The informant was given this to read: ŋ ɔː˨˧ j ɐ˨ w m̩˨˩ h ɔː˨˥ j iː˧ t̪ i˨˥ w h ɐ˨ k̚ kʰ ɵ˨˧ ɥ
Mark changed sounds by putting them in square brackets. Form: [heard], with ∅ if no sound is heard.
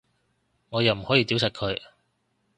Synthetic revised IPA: ŋ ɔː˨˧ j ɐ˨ w m̩˨˩ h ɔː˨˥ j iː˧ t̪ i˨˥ w [s] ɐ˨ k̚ kʰ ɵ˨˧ ɥ